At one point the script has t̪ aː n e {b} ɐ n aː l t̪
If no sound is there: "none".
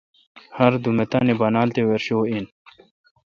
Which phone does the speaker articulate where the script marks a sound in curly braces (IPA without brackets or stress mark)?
b